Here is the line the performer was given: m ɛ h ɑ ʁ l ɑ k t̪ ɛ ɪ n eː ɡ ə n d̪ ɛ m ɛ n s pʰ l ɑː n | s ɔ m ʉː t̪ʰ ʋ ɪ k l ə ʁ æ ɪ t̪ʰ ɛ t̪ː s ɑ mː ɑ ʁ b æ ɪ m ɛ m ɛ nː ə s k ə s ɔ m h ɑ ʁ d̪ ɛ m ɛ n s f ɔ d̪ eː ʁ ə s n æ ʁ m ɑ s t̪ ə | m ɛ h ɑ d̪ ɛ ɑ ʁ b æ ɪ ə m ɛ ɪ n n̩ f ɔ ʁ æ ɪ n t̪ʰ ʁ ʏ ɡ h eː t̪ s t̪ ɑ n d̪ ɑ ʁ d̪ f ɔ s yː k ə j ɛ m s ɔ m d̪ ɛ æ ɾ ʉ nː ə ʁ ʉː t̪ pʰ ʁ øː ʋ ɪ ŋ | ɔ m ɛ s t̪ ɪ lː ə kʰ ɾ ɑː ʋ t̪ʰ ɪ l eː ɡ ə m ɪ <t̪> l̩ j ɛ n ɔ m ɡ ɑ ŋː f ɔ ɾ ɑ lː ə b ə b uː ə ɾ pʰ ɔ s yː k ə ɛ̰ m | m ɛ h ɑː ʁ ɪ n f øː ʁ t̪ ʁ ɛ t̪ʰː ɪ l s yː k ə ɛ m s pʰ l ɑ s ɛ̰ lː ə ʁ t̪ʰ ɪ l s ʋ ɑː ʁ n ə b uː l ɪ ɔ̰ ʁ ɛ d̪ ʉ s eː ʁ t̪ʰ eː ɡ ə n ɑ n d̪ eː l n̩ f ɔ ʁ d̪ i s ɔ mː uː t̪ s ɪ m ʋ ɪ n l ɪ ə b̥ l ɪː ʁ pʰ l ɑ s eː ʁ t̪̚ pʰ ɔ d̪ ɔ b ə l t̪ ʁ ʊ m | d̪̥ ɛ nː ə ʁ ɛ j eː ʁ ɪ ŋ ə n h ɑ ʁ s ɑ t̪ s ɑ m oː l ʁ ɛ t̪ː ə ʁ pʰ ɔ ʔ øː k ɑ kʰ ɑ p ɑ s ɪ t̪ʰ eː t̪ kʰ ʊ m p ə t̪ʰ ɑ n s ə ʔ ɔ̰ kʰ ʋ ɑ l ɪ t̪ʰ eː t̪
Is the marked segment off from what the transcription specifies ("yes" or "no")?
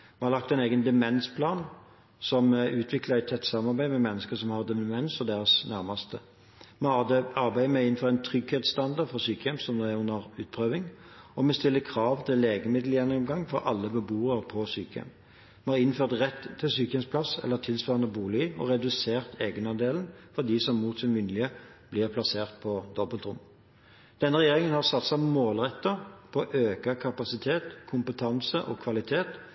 yes